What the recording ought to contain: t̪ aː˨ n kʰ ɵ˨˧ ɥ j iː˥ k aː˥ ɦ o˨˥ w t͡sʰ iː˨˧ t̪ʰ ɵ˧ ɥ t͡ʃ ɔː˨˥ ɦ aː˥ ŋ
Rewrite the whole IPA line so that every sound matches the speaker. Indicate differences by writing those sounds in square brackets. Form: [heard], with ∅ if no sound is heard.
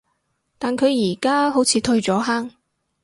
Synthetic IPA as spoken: t̪ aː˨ n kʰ ɵ˨˧ ɥ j [iː˨˩] k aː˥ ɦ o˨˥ w t͡sʰ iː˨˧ t̪ʰ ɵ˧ ɥ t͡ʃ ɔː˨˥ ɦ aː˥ ŋ